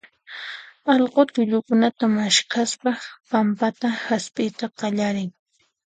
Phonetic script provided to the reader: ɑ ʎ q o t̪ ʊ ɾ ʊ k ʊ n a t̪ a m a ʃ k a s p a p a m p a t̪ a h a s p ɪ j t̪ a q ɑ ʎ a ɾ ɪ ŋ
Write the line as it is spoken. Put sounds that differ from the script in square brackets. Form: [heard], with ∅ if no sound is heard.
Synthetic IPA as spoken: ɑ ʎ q o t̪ ʊ [ʎ] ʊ k ʊ n a t̪ a m a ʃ k a s p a p a m p a t̪ a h a s p ɪ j t̪ a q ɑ ʎ a ɾ ɪ ŋ